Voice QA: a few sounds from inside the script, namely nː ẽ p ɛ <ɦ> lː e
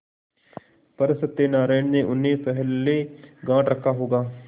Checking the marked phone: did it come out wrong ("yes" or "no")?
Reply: no